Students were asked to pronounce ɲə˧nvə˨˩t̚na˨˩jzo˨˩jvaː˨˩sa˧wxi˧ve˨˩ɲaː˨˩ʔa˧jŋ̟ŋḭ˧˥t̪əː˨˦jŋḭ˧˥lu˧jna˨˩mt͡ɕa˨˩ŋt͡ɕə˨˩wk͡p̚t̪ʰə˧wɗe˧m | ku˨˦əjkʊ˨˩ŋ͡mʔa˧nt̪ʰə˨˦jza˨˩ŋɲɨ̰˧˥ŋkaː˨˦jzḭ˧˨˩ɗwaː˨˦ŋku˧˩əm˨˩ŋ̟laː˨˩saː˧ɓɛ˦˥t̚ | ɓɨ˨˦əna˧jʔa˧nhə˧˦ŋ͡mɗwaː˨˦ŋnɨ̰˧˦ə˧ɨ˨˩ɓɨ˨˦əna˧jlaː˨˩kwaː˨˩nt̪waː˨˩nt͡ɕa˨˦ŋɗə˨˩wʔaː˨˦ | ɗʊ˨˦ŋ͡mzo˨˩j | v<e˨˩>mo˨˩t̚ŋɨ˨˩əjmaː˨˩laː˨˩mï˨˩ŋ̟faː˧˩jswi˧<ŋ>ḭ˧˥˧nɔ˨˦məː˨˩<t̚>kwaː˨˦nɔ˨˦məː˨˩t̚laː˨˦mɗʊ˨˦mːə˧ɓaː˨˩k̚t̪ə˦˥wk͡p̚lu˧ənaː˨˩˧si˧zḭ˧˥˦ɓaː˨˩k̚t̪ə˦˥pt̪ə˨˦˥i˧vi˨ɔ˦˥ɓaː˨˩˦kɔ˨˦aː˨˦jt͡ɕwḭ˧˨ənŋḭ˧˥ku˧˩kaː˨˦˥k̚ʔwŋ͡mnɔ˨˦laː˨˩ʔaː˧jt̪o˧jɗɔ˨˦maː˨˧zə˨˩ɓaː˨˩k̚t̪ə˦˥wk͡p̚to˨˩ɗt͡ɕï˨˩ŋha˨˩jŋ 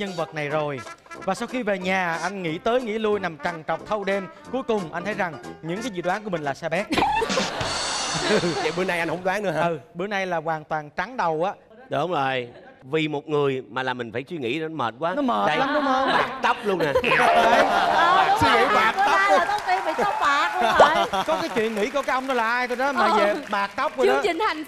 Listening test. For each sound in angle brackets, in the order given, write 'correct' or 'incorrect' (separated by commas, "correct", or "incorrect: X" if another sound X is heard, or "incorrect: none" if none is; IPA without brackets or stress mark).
incorrect: i˨˩, correct, correct